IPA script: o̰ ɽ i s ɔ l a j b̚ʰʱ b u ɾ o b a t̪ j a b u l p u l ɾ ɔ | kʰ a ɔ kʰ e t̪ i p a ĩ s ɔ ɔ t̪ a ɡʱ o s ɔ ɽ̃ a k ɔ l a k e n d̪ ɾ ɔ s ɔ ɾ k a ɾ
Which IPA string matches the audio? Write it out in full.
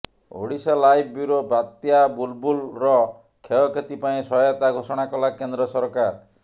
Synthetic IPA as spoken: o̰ ɽ i s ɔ l a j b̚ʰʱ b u ɾ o b a t̪ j a b u l b u l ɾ ɔ | kʰ e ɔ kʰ e t̪ i p a ĩ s ɔ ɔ t̪ a ɡʱ o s ɔ ɽ̃ a k ɔ l a k e n d̪ ɾ ɔ s ɔ ɾ k a ɾ